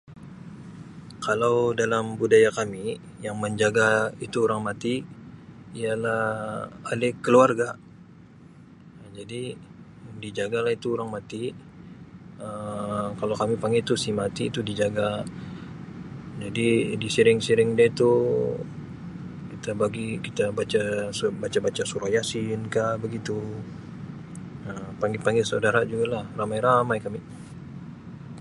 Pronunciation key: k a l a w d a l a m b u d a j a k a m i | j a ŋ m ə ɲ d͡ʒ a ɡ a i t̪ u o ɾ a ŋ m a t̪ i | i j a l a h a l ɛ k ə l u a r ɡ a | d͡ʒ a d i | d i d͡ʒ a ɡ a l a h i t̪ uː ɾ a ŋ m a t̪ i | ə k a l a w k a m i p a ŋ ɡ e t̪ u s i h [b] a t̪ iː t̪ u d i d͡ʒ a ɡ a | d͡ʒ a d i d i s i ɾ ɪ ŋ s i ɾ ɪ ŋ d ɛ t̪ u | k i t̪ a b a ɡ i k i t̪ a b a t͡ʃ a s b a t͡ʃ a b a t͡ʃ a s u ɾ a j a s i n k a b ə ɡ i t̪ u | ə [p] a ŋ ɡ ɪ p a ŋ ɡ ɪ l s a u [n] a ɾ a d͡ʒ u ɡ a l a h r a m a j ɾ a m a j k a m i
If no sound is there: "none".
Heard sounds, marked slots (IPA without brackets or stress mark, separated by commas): m, p, d